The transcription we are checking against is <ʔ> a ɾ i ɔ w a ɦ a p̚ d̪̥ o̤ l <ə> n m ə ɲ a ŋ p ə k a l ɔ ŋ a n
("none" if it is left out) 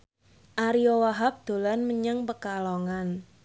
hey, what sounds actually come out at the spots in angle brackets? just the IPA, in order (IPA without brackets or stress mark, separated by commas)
ʔ, a